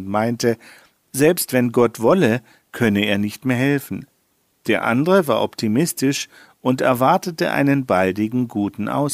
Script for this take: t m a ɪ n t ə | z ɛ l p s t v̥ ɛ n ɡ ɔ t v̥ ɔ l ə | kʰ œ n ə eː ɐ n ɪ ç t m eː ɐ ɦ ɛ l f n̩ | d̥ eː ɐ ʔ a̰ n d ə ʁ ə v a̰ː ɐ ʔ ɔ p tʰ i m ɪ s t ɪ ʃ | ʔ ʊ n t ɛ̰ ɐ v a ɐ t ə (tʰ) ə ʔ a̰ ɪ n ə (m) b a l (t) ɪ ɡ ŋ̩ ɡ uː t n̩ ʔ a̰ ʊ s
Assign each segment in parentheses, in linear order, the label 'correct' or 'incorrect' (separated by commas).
incorrect, incorrect, incorrect